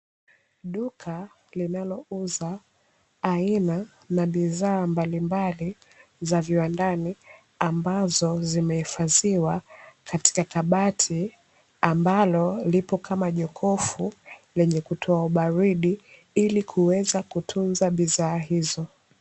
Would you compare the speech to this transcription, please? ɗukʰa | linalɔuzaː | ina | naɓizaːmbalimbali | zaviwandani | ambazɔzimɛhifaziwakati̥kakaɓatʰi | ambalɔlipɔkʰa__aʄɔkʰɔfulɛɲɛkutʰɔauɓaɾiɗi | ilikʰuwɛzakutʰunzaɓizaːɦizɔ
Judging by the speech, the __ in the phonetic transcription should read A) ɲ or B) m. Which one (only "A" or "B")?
B